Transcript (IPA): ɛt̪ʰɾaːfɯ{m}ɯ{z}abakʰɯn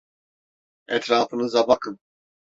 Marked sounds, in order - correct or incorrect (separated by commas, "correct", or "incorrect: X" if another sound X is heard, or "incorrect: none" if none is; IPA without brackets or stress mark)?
incorrect: n, correct